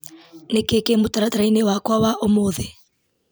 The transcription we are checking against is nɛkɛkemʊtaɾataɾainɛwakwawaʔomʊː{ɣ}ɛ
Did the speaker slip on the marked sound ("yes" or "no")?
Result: yes